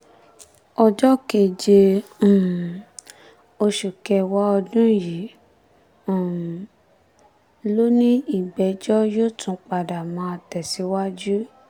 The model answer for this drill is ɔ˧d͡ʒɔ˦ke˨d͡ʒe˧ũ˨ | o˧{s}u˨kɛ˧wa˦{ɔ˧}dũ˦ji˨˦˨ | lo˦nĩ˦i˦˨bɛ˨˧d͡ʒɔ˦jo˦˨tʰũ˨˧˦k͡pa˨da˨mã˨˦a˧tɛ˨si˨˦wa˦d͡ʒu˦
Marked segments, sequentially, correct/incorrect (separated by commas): incorrect, correct